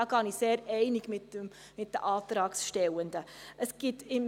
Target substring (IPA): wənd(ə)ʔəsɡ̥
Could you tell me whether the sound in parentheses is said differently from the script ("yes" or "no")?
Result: no